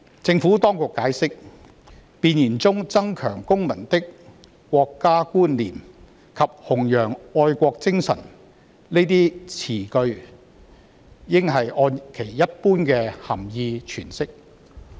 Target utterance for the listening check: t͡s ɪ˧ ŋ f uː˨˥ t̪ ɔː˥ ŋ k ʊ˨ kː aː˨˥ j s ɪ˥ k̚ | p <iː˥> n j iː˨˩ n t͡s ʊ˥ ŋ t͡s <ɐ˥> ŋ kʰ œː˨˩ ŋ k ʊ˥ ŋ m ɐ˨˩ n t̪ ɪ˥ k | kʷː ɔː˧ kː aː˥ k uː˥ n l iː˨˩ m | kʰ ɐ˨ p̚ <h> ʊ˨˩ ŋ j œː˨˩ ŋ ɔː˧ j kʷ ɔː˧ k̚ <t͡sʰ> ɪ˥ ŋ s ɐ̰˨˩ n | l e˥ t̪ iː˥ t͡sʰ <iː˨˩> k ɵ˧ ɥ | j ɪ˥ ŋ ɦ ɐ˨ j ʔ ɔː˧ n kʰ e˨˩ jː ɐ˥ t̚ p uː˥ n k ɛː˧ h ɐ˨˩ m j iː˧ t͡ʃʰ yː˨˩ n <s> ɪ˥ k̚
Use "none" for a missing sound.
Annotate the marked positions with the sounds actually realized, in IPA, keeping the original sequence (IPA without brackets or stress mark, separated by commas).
iː˧, ɐ˥, h, t͡s, iː˨˩, s